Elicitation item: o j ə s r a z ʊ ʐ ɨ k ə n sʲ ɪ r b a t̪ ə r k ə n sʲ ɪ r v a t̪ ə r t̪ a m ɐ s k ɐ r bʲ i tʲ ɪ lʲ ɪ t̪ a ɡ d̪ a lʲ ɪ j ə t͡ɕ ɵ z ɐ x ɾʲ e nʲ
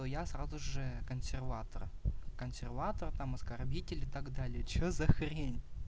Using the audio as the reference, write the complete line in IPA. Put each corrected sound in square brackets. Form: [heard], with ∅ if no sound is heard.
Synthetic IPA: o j [a] s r a z ʊ ʐ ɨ k ə n sʲ ɪ r [v] a t̪ ə r k ə n sʲ ɪ r v a t̪ ə r t̪ a m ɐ s k ɐ r bʲ i tʲ ɪ lʲ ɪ t̪ a ɡ d̪ a lʲ ɪ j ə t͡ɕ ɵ z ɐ x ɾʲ e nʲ